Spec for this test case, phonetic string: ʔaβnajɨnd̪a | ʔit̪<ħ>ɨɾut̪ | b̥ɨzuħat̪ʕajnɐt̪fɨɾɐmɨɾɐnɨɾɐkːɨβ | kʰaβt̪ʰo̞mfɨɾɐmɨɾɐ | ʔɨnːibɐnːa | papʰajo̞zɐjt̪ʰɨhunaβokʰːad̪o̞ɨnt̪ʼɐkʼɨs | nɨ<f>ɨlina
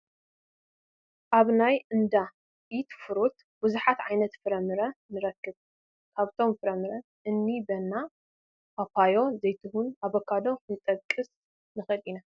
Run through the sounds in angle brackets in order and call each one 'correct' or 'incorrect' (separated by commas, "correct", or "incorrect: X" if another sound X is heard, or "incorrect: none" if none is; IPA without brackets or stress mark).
incorrect: f, incorrect: x